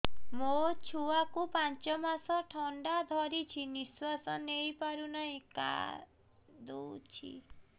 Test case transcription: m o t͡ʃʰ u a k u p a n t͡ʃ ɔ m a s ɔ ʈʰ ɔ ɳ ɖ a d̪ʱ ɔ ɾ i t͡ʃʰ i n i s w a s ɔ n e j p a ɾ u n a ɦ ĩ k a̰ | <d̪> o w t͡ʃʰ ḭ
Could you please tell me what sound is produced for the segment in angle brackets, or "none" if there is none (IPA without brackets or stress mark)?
d̪